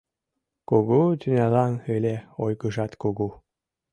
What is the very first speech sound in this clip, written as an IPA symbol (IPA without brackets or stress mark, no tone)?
k